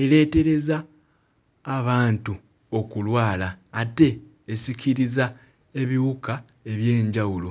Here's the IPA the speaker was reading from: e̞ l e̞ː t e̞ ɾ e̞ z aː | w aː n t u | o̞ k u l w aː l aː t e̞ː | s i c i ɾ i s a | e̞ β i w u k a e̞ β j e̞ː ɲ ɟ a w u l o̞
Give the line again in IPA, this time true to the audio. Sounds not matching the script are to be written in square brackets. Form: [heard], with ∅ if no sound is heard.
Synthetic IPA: e̞ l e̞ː t e̞ ɾ e̞ z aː | [β] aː n t u | o̞ k u l w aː l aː t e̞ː | s i c i ɾ i [z] a | e̞ β i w u k a e̞ β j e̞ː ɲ ɟ a w u l o̞